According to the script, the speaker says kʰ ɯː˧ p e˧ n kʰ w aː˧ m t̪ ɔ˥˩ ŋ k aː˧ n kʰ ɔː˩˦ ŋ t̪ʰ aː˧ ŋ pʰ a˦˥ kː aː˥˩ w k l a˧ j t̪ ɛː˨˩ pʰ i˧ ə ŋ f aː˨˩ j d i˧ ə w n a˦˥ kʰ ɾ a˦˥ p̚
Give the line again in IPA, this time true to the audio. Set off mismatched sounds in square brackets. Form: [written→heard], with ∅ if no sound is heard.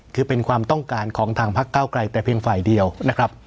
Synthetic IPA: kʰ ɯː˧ p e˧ n kʰ w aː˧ m t̪ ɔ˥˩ ŋ k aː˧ n kʰ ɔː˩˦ ŋ t̪ʰ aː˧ ŋ pʰ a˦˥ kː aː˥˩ w k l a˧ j t̪ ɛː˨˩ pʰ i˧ ə ŋ f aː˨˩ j d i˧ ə w n a˦˥ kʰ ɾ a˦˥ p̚